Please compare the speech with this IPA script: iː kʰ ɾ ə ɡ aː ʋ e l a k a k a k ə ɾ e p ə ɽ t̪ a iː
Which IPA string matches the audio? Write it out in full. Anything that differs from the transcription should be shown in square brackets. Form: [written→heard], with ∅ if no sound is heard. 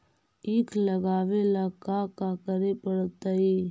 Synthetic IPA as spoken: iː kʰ [ɾ→l] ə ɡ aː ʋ e l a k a k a k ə ɾ e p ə ɽ t̪ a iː